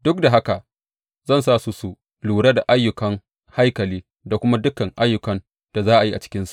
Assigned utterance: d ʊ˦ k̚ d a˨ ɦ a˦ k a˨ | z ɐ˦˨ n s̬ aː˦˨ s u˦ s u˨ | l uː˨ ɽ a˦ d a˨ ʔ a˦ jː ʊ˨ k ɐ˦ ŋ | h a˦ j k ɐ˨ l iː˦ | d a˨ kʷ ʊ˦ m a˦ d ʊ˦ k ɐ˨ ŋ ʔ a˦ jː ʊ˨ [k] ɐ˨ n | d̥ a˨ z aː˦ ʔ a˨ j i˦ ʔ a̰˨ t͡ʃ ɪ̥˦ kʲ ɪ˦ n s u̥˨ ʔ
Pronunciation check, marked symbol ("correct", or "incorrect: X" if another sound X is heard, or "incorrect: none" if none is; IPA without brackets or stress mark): correct